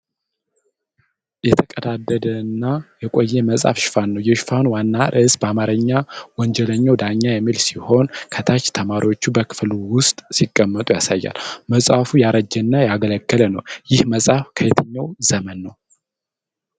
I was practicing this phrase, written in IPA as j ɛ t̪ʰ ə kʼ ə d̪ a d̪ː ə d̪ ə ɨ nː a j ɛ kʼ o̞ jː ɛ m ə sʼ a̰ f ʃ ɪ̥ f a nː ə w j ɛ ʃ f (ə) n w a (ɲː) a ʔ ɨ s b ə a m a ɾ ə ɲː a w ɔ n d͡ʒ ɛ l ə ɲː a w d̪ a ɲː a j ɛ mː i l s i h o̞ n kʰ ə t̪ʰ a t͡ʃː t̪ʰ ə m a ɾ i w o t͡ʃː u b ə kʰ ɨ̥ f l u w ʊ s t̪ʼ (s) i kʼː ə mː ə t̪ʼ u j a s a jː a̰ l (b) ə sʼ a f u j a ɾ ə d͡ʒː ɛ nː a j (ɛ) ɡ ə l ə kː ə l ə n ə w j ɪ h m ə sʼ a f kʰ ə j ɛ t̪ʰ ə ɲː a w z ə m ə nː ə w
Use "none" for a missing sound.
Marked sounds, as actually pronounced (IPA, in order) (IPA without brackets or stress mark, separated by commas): a, nː, s, m, a